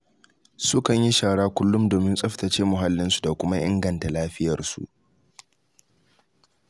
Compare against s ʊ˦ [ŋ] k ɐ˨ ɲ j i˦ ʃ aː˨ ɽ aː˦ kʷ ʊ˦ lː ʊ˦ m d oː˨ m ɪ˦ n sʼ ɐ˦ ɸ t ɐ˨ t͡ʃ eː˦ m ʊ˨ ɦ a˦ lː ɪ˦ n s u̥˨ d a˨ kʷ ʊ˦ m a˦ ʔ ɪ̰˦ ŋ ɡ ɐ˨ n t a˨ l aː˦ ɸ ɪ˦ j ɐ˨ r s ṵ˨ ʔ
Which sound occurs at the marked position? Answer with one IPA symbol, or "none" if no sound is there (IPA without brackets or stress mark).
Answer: none